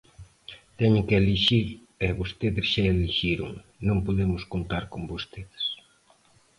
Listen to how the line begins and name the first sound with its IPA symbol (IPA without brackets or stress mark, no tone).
t̪